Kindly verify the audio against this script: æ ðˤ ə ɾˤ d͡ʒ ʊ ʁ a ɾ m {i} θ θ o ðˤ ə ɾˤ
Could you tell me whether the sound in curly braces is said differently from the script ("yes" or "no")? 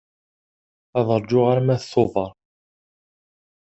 yes